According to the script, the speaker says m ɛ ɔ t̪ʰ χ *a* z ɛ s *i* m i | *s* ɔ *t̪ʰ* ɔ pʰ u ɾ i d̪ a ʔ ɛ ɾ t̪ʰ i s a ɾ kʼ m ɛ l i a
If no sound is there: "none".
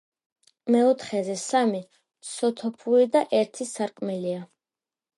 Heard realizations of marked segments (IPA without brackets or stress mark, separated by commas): ɛ, a, s, t̪ʰ